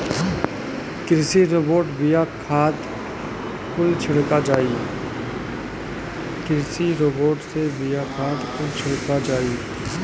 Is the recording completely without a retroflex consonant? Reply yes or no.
no